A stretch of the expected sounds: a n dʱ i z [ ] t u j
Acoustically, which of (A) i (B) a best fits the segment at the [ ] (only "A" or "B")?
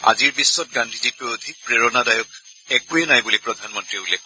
A